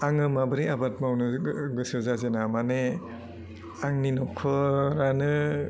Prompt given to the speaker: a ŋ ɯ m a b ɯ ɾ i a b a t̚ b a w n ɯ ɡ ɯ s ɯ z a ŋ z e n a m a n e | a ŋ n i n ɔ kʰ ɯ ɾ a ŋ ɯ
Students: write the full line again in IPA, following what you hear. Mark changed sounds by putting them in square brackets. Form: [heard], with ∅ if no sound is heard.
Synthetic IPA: a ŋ ɯ m a b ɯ ɾ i a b a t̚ [m] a w n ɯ ɡ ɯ s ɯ z a [∅] z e n a m a n e | a ŋ n i n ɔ kʰ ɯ ɾ a [n] ɯ